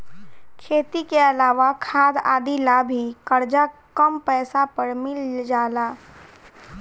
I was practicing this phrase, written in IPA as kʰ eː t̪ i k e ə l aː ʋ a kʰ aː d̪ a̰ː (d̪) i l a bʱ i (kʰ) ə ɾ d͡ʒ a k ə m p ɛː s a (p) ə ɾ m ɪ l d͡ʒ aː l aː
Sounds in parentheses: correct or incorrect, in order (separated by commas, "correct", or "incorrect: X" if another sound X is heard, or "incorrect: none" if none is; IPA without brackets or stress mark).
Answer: correct, incorrect: k, correct